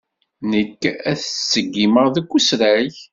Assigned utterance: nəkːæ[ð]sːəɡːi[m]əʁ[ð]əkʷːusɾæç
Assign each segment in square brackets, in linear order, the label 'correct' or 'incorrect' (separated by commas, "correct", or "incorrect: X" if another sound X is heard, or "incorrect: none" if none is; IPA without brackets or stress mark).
incorrect: θ, correct, correct